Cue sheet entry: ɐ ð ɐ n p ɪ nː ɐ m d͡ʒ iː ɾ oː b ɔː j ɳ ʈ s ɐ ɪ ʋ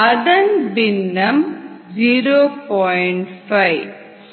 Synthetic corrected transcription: ɐ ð ɐ n b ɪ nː ɐ m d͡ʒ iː ɾ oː p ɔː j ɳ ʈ f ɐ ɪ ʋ